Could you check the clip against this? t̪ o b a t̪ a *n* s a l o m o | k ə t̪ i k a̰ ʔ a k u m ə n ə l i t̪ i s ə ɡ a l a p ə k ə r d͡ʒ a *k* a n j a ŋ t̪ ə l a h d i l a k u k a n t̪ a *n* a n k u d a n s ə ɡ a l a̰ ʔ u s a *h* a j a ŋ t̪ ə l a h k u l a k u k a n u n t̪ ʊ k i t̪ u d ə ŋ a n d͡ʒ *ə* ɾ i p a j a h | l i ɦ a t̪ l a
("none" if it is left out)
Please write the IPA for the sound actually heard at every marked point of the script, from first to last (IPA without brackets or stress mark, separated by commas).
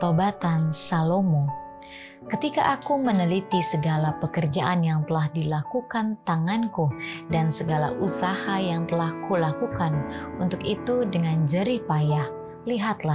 n, ʔ, ŋ, h, ə